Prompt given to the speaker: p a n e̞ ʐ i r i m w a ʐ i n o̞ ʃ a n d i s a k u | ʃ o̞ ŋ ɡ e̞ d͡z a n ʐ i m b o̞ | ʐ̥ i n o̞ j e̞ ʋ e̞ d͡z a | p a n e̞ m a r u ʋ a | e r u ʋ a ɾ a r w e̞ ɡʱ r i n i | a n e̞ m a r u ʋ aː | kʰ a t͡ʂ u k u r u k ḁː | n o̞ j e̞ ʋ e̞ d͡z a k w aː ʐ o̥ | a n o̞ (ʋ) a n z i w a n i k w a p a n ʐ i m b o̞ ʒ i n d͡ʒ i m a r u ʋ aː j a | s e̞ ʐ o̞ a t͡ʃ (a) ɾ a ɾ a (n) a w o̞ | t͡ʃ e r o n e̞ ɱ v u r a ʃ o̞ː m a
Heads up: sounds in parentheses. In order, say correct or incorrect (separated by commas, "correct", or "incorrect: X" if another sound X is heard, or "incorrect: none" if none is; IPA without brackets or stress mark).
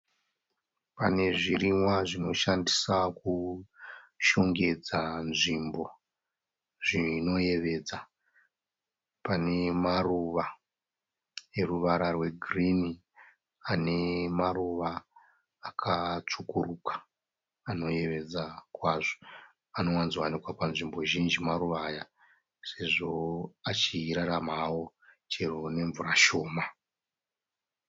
incorrect: w, incorrect: i, incorrect: m